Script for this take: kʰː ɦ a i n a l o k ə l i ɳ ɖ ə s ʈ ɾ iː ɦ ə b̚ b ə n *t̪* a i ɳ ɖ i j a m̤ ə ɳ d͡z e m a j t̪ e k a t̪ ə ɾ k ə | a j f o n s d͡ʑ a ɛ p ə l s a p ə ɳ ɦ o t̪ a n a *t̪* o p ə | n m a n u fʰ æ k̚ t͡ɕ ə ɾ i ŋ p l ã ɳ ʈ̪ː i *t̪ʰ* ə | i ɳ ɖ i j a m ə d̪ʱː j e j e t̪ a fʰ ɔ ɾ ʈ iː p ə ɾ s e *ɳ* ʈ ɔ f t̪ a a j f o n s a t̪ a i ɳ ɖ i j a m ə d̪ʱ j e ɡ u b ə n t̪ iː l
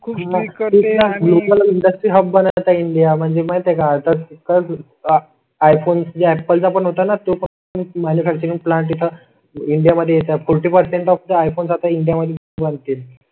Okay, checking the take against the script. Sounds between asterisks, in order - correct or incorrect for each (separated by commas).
correct, correct, correct, correct